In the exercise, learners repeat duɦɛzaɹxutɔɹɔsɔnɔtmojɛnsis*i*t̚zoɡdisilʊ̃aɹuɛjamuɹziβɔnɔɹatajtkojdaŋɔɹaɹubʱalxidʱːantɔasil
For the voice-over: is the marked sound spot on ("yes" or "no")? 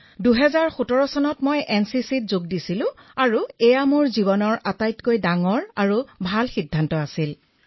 yes